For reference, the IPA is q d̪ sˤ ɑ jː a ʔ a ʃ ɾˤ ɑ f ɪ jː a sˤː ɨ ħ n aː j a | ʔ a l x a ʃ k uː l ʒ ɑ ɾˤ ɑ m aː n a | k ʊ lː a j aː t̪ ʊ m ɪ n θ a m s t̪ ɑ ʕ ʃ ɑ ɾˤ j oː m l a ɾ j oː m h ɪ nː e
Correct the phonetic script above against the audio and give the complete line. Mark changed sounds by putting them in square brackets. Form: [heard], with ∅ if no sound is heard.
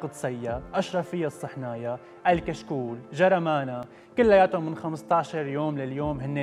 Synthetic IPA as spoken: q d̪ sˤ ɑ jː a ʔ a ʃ ɾˤ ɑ f ɪ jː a sˤː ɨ ħ n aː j a | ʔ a l [k] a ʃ k uː l ʒ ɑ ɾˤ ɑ m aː n a | k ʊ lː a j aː t̪ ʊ m ɪ n [x] a m s t̪ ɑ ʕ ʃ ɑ ɾˤ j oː m l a [l] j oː m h ɪ nː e